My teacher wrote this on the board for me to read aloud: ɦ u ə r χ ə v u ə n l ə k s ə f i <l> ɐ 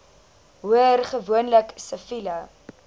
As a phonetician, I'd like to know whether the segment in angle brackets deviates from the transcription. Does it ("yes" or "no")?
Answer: no